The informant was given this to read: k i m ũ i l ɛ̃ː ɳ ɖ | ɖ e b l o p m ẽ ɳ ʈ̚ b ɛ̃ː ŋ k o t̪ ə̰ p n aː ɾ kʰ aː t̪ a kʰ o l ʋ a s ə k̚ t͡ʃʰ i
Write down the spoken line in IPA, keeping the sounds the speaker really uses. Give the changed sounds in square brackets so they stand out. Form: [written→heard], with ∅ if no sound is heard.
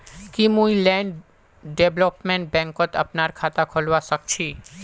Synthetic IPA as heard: k i m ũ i l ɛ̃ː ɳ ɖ | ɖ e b l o p m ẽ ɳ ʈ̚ b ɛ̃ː ŋ k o t̪ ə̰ p n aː ɾ kʰ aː t̪ a kʰ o l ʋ a s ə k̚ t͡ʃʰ i